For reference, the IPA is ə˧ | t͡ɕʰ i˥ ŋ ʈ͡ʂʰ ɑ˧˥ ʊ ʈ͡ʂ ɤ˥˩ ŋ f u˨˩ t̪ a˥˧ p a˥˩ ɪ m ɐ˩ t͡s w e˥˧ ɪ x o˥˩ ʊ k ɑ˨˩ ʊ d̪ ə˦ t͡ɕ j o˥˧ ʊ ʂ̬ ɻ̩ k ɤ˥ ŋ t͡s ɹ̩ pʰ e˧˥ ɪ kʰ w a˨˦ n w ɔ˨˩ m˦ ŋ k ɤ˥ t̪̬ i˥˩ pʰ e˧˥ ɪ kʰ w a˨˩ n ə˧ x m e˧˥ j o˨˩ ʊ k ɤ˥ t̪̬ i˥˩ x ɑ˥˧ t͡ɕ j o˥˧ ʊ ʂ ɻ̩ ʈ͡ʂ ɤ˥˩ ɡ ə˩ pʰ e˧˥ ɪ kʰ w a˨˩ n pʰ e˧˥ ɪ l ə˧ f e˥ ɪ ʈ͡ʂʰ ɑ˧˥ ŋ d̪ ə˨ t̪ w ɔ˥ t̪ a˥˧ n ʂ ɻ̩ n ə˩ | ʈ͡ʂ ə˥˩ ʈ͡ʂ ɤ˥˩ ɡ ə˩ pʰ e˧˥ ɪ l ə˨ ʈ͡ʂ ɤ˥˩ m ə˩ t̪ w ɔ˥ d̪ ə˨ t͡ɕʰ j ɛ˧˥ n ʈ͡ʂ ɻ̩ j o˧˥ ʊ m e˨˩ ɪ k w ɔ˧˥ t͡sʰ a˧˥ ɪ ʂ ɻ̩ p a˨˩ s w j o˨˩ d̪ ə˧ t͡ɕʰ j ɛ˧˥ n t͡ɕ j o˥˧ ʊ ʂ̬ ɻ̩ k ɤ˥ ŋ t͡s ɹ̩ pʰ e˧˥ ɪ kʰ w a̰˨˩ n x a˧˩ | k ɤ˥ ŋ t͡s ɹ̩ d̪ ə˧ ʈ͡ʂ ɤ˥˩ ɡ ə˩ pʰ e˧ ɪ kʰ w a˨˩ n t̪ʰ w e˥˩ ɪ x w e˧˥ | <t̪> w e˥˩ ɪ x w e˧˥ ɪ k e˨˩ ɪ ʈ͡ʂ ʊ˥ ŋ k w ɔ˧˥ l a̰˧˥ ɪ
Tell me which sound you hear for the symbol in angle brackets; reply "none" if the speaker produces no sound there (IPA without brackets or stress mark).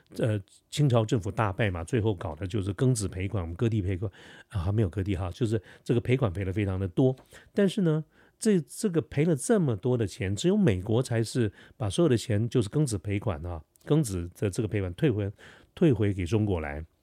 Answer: t̪ʰ